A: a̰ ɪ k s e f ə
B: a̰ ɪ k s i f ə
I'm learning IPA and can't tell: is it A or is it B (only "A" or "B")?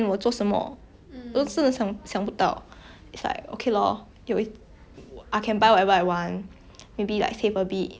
A